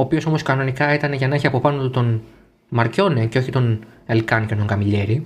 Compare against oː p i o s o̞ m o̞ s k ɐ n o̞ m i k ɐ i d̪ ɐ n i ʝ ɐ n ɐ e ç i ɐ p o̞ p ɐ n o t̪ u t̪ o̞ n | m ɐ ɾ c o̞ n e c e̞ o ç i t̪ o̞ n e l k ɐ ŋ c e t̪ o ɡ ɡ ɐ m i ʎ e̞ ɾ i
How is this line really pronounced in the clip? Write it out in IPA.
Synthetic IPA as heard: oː p i o s o̞ m o̞ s k ɐ n o̞ n i k ɐ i t̪ ɐ n e ʝ ɐ n ɐ e ç i ɐ p o̞ p ɐ n o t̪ u t̪ o̞ n | m ɐ ɾ c o̞ n e c e̞ o ç i t̪ o̞ n e l k ɐ n c e t̪ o ŋ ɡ ɐ m i ʎ e̞ ɾ i